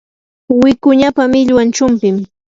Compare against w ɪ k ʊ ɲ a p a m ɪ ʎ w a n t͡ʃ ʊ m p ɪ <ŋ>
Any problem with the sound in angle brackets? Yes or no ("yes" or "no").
yes